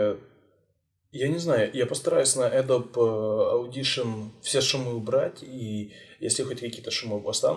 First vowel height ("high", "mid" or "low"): low